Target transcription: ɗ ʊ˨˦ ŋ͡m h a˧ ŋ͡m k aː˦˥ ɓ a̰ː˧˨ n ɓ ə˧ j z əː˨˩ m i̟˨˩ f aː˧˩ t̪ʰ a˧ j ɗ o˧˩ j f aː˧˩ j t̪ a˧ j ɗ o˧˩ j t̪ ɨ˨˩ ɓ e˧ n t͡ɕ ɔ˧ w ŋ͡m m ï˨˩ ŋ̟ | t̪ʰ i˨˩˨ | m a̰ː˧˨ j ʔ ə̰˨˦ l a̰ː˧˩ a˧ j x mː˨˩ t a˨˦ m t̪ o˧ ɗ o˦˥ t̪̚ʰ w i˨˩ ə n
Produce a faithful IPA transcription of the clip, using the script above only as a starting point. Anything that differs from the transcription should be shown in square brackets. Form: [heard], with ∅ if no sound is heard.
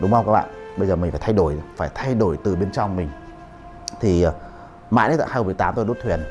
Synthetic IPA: ɗ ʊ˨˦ ŋ͡m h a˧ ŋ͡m k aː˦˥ ɓ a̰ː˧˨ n ɓ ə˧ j z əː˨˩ m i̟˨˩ f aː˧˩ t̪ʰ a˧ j ɗ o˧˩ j f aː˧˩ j [t̪ʰ] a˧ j ɗ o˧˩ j t̪ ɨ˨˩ ɓ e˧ n t͡ɕ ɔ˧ w ŋ͡m m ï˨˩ ŋ̟ | t̪ʰ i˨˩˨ | m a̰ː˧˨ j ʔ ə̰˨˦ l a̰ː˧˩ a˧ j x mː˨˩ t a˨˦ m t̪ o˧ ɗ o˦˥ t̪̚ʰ w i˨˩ ə n